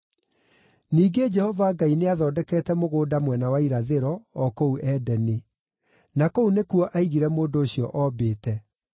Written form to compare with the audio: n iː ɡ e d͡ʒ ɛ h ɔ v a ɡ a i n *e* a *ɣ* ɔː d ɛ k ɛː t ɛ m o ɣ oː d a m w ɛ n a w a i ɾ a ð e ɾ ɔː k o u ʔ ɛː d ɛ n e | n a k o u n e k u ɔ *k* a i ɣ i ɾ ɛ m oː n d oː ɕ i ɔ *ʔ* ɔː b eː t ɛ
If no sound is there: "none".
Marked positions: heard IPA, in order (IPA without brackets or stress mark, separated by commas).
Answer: e, ð, ʔ, ʔ